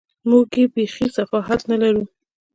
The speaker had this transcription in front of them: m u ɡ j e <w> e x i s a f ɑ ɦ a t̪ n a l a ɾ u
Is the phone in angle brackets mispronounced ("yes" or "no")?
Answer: yes